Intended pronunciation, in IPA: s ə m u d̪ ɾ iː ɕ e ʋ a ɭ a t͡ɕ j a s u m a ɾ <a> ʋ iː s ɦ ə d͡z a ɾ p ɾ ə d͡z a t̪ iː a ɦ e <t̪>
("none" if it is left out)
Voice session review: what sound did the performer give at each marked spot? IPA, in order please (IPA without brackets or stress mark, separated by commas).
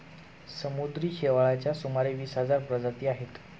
e, t̪